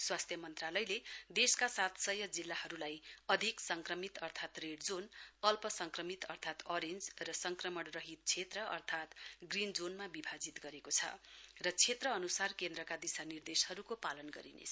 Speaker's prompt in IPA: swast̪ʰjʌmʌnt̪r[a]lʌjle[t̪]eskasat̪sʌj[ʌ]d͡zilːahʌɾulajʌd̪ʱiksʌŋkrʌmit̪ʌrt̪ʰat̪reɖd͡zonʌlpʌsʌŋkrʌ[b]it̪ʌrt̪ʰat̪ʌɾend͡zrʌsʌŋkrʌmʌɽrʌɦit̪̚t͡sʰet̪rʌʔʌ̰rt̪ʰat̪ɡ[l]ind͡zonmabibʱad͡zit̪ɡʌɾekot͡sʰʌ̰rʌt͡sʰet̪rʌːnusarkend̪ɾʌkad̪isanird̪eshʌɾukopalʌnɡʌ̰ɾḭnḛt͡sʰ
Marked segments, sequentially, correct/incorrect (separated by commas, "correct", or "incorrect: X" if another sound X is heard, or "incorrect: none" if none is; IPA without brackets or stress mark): correct, incorrect: d̪, correct, incorrect: m, incorrect: r